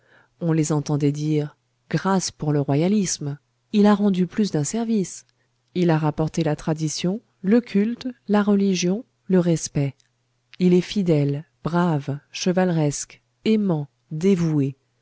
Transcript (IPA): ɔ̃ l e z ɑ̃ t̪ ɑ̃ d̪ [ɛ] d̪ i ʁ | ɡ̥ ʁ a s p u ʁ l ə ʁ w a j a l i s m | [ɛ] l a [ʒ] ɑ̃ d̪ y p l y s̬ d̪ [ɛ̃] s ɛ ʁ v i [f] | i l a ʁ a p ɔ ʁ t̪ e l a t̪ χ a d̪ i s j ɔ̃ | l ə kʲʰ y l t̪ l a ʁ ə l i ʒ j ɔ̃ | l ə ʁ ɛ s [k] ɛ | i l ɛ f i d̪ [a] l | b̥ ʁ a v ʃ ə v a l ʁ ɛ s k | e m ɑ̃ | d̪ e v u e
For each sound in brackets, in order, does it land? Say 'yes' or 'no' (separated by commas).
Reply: yes, no, no, yes, no, no, no